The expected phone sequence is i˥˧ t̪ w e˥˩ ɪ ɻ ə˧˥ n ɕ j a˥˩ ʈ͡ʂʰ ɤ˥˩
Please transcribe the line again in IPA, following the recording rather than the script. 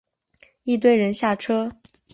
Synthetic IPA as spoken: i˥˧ t̪ w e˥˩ ɪ ɻ ə˧˥ n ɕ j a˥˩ ʈ͡ʂʰ ɤ˥